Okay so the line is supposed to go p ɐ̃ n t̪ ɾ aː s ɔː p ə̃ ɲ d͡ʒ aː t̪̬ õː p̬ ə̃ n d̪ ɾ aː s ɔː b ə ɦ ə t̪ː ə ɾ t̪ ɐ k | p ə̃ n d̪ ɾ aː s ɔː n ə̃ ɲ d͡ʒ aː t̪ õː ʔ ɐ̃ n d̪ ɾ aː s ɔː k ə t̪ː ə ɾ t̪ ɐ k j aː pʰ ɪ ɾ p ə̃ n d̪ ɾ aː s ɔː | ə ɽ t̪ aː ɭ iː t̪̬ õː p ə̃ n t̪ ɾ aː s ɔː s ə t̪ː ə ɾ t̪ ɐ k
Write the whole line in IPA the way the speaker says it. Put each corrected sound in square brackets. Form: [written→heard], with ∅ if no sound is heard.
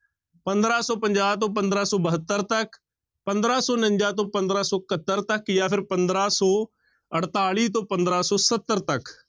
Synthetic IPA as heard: p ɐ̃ n [t̪→d̪] ɾ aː s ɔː p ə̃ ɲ d͡ʒ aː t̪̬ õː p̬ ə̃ n d̪ ɾ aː s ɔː b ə ɦ ə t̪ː ə ɾ t̪ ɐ k | p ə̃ n d̪ ɾ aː s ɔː n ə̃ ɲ d͡ʒ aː t̪ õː [ʔ→p] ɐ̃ n d̪ ɾ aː s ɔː k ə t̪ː ə ɾ t̪ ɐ k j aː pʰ ɪ ɾ p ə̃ n d̪ ɾ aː s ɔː | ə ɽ t̪ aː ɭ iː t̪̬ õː p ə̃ n [t̪→d̪] ɾ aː s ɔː s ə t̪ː ə ɾ t̪ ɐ k